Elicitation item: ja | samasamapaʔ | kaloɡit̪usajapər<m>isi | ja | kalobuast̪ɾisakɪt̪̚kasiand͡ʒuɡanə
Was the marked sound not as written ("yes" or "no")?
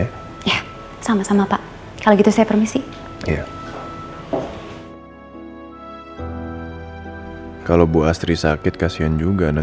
no